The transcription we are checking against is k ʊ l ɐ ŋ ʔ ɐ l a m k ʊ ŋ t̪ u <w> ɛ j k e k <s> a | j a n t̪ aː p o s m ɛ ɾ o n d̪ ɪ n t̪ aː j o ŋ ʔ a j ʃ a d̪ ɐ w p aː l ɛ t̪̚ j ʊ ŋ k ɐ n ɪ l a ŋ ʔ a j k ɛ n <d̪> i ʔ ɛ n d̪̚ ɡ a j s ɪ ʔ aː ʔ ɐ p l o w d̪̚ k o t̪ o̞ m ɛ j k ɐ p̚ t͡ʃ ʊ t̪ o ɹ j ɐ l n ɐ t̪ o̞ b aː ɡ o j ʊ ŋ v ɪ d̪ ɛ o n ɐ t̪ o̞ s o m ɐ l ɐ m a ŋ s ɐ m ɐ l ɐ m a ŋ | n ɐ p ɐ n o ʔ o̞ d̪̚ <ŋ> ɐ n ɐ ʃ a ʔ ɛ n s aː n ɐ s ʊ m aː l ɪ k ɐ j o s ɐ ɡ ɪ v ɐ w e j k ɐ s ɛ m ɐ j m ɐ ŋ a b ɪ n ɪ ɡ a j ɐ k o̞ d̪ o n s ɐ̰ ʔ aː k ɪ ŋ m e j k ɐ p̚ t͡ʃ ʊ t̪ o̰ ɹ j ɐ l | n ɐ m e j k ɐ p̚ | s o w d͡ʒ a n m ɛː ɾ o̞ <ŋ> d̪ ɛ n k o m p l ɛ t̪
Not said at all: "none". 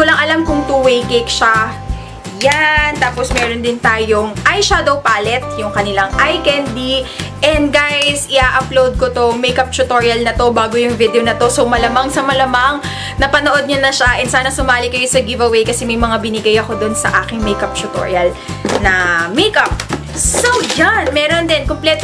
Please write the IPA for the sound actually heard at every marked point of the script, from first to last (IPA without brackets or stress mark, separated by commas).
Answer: w, ʃ, d̪, ɲ, n